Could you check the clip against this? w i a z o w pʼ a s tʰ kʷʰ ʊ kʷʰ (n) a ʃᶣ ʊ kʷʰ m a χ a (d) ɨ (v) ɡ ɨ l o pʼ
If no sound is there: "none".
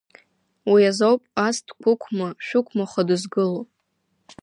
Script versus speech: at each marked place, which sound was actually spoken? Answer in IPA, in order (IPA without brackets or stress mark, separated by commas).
m, d, z